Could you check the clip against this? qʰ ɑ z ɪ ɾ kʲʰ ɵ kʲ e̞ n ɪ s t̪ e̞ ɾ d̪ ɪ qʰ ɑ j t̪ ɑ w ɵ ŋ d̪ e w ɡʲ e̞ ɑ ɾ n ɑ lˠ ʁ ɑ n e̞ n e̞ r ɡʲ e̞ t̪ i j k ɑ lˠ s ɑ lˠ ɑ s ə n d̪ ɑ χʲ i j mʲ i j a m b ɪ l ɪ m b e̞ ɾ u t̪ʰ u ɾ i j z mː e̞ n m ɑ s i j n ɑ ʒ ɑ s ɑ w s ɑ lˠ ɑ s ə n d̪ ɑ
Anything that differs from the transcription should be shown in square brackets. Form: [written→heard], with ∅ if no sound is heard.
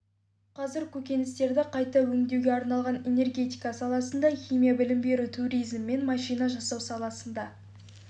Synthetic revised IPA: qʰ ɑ z ɪ ɾ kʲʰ ɵ kʲ e̞ n ɪ s t̪ e̞ ɾ d̪ ɪ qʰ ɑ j t̪ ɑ w ɵ ŋ d̪ e w ɡʲ e̞ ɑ ɾ n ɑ lˠ ʁ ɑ n e̞ n e̞ r ɡʲ e̞ t̪ i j k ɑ [lˠ→∅] s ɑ lˠ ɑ s ə n d̪ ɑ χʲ i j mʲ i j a [m→∅] b ɪ l ɪ m b e̞ ɾ u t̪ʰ u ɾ i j z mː e̞ n m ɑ [s→ʃ] i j n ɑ ʒ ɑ s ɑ w s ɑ lˠ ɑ s ə n d̪ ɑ